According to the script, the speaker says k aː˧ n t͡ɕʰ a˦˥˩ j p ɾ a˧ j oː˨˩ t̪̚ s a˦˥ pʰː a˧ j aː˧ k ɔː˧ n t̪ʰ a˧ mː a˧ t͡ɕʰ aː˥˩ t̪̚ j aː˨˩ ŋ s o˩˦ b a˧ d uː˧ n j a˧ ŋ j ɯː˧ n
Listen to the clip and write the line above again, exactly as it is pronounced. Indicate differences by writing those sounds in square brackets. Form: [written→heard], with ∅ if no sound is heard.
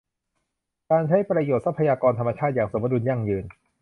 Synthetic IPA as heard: k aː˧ n t͡ɕʰ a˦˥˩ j p ɾ a˧ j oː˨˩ t̪̚ s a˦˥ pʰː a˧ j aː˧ k ɔː˧ n t̪ʰ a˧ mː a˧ t͡ɕʰ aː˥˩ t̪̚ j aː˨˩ ŋ s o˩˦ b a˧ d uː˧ n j [a˧→a˥˩] ŋ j ɯː˧ n

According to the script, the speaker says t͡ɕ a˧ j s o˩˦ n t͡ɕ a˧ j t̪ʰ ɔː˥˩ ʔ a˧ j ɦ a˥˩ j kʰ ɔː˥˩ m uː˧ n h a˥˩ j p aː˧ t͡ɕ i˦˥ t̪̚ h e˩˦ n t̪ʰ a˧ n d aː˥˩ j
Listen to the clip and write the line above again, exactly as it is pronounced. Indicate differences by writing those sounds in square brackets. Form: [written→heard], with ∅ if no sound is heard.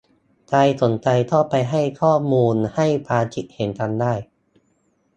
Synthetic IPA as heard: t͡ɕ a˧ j s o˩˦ n t͡ɕ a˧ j t̪ʰ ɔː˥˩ [ʔ→p] a˧ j ɦ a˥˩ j kʰ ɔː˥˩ m uː˧ n h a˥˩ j p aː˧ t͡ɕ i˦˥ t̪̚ h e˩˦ n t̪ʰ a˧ n d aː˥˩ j

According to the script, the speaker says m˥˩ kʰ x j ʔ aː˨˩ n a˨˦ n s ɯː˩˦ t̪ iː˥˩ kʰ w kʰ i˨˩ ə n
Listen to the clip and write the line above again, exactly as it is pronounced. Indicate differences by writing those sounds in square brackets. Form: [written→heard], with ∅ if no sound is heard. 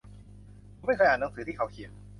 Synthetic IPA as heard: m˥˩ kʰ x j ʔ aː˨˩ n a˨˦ [n→ŋ] s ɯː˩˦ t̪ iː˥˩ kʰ w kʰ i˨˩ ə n

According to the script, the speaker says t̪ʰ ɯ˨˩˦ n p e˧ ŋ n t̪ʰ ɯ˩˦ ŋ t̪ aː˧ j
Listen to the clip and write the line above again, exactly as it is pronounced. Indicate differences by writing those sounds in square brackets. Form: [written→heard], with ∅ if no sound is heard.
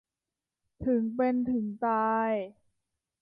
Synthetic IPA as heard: t̪ʰ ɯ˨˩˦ [n→ŋ] p e˧ [ŋ→∅] n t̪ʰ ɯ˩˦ ŋ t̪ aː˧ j

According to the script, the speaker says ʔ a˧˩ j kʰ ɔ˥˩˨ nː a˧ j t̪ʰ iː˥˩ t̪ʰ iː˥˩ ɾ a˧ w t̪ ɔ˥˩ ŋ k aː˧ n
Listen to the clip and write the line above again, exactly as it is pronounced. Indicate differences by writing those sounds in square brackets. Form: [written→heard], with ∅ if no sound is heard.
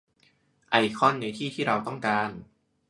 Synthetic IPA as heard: ʔ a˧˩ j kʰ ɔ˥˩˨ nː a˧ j t̪ʰ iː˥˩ t̪ʰ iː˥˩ ɾ a˧ w t̪ ɔ˥˩ ŋ k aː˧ n

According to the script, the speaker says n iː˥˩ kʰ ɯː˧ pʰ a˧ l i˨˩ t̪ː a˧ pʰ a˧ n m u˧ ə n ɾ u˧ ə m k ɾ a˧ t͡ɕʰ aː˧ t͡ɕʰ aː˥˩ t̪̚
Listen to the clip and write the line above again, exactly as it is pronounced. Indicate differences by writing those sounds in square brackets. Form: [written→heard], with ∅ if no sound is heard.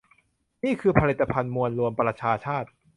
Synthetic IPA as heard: n iː˥˩ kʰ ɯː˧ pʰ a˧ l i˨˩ t̪ː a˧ pʰ a˧ n m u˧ ə n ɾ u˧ ə m [k→p] ɾ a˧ t͡ɕʰ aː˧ t͡ɕʰ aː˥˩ t̪̚

